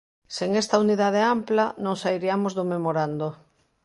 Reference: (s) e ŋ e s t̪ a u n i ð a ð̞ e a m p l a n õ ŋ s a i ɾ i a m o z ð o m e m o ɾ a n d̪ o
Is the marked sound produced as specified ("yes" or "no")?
yes